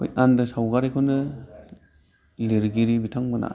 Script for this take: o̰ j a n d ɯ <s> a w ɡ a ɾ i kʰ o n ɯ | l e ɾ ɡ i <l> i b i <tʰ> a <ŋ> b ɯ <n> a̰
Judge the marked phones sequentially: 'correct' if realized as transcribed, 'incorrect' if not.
correct, incorrect: ɾ, correct, correct, correct

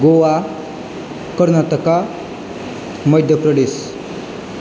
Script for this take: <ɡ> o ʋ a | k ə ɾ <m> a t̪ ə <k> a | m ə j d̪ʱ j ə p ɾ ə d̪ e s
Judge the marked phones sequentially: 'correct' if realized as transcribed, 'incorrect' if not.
correct, incorrect: n, correct

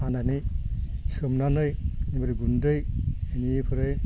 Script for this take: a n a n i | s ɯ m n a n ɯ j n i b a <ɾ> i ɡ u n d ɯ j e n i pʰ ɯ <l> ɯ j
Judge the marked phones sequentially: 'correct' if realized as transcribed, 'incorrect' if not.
correct, incorrect: ɾ

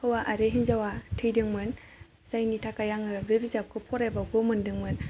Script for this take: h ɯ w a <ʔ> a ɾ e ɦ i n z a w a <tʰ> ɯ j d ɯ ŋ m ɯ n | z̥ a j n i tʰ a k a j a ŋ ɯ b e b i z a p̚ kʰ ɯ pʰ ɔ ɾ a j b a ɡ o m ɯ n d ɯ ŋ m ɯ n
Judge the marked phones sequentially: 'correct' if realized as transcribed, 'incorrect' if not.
correct, correct

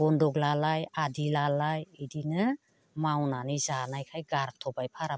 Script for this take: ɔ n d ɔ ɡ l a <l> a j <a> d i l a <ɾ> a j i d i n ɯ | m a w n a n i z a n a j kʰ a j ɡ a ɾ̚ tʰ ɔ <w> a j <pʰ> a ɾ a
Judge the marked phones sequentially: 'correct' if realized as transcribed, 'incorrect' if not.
correct, correct, incorrect: l, incorrect: b, correct

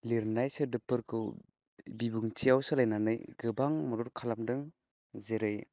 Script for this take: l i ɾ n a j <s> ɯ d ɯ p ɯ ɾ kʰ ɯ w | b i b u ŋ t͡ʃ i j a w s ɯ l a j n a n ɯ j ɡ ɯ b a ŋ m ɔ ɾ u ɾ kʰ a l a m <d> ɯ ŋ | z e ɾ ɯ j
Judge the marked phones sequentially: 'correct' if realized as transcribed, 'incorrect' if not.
correct, correct

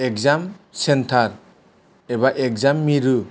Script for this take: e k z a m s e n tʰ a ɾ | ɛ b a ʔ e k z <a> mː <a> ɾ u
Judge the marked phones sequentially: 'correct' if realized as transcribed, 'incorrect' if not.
correct, incorrect: i

